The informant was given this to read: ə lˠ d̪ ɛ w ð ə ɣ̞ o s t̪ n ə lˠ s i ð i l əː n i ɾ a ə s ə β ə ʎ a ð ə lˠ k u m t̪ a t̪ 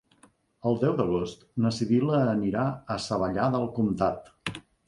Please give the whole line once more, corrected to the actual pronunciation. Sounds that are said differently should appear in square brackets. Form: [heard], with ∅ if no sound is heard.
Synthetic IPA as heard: ə lˠ d̪ ɛ w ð ə ɣ̞ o s t̪ n ə [∅] s i ð i l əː n i ɾ a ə s ə β ə ʎ a ð ə lˠ k u m t̪ a t̪

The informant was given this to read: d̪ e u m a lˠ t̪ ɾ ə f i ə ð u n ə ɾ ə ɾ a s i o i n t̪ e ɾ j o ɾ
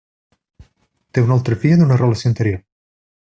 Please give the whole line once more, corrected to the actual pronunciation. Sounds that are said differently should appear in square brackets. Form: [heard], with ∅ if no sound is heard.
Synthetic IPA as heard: [t̪] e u [n] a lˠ t̪ ɾ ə f i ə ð u n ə [r] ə [l] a s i o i n t̪ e ɾ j o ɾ

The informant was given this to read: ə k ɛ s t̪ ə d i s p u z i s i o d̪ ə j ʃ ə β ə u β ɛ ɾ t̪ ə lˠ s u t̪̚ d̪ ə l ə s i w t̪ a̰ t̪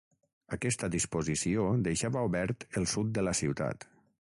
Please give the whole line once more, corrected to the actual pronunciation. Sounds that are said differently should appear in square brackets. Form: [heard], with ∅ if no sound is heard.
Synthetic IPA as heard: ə k ɛ s t̪ ə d i s p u z i s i o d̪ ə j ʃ [a] β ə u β ɛ ɾ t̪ ə lˠ s u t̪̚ d̪ ə l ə s i w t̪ a̰ t̪

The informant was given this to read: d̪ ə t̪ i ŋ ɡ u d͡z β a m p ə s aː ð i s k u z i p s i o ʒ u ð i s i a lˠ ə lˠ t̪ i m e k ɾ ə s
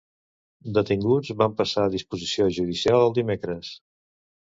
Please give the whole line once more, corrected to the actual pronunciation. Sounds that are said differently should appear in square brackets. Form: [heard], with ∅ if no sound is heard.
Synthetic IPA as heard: d̪ ə t̪ i ŋ ɡ u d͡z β a m p ə s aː ð i s [p] u z i [∅] s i o ʒ u ð i s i a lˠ ə lˠ [d̪] i m e k ɾ ə s

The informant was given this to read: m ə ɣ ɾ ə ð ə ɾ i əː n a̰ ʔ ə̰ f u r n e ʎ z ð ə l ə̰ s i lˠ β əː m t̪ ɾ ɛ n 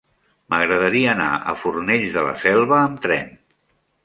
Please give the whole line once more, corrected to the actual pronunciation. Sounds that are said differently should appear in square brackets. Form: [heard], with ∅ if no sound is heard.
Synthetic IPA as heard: m ə ɣ ɾ ə ð ə ɾ i əː n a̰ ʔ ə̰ f u r n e ʎ z ð ə l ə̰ s [ɛ] lˠ β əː m t̪ ɾ ɛ n

